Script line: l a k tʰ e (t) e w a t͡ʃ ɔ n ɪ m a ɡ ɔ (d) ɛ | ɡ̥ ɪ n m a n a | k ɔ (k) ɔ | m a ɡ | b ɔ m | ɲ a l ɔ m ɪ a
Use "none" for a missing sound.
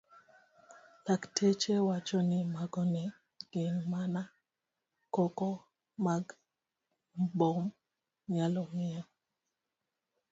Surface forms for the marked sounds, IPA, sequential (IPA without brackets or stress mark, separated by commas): t͡ʃ, n, k